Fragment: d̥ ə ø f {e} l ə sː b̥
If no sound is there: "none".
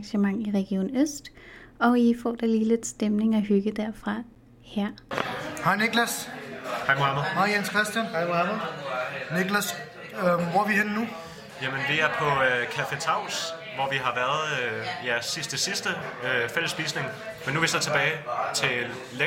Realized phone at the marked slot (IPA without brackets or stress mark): e